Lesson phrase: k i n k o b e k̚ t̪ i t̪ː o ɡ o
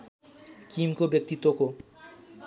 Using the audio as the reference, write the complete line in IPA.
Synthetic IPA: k i m k o b e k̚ t̪ i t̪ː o k o